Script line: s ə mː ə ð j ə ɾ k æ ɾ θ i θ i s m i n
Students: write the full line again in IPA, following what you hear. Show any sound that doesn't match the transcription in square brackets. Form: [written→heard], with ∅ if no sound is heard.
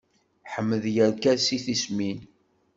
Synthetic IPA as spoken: [s→ħ] ə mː ə ð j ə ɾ k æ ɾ [θ→s] i θ i s m i n